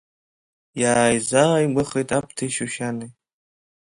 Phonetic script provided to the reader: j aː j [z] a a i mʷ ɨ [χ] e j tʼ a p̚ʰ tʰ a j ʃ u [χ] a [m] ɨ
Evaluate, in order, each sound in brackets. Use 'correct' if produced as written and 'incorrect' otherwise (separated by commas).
correct, correct, incorrect, incorrect